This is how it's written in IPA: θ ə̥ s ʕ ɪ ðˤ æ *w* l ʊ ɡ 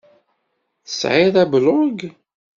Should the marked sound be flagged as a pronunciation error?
yes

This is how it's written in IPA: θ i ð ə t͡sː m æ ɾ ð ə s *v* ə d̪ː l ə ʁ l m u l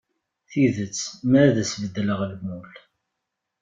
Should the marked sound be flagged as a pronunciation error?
no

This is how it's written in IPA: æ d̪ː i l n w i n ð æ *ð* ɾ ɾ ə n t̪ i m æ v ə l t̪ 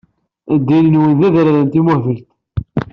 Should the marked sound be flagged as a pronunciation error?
no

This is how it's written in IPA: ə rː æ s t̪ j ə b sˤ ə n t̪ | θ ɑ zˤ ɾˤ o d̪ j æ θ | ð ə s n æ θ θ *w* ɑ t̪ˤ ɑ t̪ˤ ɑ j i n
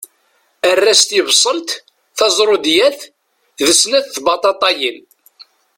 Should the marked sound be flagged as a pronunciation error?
yes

